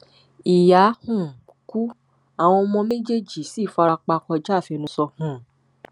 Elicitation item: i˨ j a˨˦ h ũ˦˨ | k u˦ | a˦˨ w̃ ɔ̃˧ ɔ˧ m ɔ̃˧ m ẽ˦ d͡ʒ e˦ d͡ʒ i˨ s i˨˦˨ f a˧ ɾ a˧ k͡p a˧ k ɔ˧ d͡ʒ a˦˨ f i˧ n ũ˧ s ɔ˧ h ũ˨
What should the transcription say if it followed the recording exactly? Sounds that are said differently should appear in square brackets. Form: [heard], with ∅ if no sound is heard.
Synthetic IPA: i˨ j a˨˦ h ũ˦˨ | k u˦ | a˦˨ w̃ ɔ̃˧ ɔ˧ m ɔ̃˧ m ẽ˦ d͡ʒ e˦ d͡ʒ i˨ s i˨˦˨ f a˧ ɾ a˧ k͡p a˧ k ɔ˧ d͡ʒ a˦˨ f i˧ n ũ˧ s ɔ˧ h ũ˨

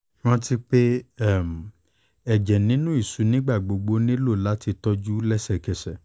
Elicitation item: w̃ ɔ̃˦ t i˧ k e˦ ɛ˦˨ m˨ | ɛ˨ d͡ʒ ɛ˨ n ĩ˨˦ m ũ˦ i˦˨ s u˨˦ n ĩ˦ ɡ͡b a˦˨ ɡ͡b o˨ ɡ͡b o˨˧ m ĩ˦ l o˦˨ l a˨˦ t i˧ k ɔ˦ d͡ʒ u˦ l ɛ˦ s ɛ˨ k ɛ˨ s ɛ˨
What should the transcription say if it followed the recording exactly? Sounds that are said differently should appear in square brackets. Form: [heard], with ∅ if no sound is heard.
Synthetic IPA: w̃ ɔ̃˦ t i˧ [k͡p] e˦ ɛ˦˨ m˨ | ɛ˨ d͡ʒ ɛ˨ n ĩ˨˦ [n] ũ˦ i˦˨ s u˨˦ n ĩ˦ ɡ͡b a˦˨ ɡ͡b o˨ ɡ͡b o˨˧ [n] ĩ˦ l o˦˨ l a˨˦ t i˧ [t] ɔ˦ d͡ʒ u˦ l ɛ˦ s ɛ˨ k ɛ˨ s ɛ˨

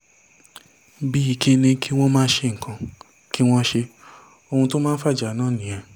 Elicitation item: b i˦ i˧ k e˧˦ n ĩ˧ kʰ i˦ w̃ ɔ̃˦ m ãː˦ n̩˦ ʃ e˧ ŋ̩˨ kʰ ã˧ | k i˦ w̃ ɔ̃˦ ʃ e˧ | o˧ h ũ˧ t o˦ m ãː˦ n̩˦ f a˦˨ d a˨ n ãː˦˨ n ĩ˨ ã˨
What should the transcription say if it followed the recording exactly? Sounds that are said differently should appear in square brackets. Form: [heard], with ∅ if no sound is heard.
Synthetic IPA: b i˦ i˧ k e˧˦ n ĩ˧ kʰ i˦ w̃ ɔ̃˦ m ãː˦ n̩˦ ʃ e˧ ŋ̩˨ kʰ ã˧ | k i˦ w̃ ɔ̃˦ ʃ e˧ | o˧ h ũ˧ t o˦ m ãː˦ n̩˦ f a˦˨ [d͡ʒ] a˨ n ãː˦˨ n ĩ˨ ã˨

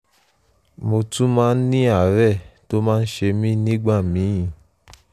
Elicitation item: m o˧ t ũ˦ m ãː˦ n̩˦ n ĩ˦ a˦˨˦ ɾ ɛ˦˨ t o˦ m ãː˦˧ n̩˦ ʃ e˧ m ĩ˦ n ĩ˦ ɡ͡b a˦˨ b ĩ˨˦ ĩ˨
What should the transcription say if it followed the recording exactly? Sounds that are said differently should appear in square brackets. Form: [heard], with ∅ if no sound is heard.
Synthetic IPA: m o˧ t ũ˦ m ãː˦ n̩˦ n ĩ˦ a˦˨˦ ɾ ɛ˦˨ t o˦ m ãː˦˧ n̩˦ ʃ e˧ m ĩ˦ n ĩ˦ ɡ͡b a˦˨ [m] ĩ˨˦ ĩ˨

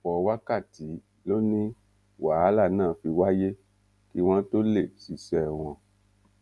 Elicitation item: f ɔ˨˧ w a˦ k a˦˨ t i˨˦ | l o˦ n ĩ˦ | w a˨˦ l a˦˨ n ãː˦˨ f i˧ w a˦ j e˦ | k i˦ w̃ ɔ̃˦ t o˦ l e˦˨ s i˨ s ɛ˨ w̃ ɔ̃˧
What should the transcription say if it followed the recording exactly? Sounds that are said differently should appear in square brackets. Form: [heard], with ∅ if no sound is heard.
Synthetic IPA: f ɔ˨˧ w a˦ k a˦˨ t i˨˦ | l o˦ n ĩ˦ | w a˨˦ l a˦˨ n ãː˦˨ f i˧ w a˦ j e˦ | k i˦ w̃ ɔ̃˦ t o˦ l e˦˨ s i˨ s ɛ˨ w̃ ɔ̃˧

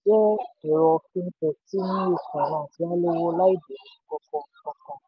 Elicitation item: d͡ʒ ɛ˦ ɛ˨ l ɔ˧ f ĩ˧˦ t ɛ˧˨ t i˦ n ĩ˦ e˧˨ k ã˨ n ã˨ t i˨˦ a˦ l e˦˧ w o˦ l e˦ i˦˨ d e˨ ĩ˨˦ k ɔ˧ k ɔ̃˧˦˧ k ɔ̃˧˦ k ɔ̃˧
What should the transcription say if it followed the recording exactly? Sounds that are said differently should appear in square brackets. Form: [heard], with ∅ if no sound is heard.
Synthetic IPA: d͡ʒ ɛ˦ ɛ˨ [ɾ] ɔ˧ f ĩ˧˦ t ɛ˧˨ t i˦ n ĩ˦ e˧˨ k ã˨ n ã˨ t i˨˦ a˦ l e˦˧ w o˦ l [a˦] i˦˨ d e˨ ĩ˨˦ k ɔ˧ k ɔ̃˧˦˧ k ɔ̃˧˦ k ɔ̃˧

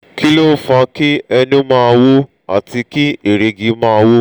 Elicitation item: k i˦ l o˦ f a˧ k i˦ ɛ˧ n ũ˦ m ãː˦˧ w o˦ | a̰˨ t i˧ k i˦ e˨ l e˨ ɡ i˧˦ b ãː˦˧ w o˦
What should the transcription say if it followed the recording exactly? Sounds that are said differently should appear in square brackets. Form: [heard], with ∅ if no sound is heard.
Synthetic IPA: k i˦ l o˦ f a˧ k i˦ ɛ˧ n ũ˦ m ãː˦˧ w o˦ | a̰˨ t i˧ k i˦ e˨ [ɾ] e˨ ɡ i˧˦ [m] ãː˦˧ w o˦

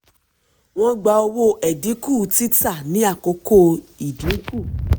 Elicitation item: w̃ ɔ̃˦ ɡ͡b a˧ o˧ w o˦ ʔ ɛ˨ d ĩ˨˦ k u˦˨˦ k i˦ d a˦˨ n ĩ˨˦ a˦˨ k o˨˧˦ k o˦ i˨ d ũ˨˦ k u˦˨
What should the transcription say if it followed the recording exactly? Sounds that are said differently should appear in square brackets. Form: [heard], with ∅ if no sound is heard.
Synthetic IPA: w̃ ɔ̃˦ ɡ͡b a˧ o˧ w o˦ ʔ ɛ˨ d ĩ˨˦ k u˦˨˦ [t] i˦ [t] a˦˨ n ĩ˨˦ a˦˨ k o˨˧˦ k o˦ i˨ d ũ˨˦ k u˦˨

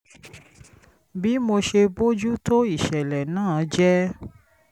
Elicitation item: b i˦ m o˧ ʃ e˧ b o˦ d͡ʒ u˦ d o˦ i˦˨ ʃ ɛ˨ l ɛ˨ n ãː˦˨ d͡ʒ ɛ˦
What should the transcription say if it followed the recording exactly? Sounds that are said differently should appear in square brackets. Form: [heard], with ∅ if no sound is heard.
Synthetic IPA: b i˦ m o˧ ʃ e˧ b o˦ d͡ʒ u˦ [t] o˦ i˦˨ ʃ ɛ˨ l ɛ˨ n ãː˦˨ d͡ʒ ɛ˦

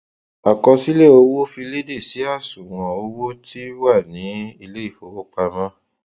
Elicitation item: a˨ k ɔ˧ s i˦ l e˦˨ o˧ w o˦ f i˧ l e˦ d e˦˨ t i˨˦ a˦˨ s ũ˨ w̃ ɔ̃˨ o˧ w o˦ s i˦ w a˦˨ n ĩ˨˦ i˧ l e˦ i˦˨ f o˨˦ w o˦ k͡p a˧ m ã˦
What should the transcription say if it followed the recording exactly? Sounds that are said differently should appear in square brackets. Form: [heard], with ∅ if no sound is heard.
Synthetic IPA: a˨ k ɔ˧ s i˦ l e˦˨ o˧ w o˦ f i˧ l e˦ d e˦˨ [s] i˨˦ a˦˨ s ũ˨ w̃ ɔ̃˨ o˧ w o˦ [t] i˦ w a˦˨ n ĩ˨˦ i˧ l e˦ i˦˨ f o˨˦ w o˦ k͡p a˧ m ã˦

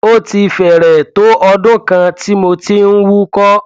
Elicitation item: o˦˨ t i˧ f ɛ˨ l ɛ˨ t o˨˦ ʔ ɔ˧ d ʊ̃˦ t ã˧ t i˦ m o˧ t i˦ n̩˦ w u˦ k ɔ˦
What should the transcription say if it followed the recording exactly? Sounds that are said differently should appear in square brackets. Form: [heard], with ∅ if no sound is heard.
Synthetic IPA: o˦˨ t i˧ f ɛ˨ [ɾ] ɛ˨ t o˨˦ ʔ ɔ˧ d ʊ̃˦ [k] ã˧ t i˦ m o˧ t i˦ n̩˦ w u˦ k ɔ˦

